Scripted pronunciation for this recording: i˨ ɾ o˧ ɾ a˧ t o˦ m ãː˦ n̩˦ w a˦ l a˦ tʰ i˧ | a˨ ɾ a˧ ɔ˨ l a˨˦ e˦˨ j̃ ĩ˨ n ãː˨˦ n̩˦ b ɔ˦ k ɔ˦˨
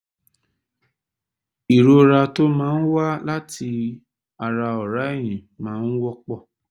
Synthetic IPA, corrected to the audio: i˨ ɾ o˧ ɾ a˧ t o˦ m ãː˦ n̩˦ w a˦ l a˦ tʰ i˧ | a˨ ɾ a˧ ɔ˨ ɾ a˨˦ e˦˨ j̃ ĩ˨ m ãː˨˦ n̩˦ w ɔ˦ k͡p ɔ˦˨